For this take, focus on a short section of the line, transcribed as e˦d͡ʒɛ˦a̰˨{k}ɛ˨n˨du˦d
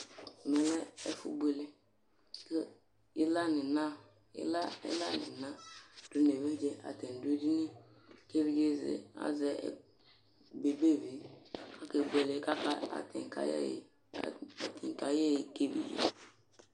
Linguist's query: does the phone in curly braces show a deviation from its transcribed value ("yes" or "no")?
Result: yes